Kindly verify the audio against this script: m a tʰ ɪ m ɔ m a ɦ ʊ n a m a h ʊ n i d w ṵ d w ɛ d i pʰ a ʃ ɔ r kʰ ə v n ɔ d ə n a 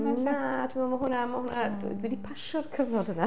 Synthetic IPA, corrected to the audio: n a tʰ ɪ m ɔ m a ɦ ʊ n a m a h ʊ n a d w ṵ d w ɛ d i pʰ a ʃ ɔ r kʰ ə v n ɔ d ə n a